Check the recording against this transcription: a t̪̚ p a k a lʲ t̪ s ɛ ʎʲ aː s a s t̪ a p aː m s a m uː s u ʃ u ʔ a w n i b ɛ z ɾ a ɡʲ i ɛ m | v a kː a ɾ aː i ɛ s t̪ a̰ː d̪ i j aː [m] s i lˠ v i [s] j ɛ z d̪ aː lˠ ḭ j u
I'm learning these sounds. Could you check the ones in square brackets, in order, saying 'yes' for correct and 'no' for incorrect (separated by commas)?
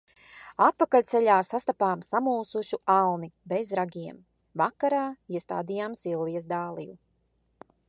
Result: yes, no